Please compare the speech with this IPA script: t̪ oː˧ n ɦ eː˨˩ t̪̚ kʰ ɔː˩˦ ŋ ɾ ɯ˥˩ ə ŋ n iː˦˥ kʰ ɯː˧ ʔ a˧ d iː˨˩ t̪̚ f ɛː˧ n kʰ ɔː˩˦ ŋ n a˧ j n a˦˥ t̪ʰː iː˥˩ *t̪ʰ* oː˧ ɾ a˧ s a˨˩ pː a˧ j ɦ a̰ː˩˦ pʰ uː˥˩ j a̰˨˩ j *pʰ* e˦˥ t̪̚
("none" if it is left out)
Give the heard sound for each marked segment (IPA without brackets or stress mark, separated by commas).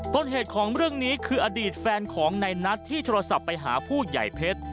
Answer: t̪ʰ, pʰ